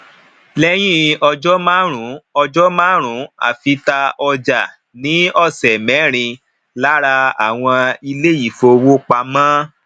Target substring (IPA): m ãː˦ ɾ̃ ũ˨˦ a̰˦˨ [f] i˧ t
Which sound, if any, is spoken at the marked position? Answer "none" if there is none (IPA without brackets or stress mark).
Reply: f